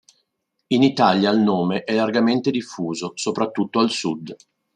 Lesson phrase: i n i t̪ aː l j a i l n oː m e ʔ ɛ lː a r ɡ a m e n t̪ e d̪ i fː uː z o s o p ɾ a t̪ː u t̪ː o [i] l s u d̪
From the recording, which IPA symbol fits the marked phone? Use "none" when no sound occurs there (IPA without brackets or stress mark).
a